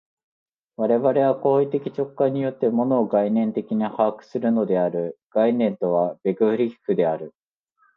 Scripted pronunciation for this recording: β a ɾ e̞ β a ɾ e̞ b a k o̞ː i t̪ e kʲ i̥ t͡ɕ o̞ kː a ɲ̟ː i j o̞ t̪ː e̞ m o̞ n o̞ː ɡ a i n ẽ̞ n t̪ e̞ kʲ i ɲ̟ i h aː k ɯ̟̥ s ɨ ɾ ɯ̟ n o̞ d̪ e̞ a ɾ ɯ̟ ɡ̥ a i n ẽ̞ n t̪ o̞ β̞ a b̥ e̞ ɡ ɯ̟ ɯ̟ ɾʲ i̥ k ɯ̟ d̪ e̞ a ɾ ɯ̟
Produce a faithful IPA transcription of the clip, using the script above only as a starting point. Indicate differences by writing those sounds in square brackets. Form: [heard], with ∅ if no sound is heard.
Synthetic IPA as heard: β a ɾ e̞ β a ɾ e̞ [β] a k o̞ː i t̪ e kʲ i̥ t͡ɕ o̞ kː a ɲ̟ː i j o̞ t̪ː e̞ m o̞ n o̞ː ɡ a i n ẽ̞ n t̪ e̞ kʲ i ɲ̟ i h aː k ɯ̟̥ s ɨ ɾ ɯ̟ n o̞ d̪ e̞ a ɾ ɯ̟ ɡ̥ a i n ẽ̞ n t̪ o̞ β̞ a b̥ e̞ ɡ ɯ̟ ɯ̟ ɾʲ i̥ k ɯ̟ d̪ e̞ a ɾ ɯ̟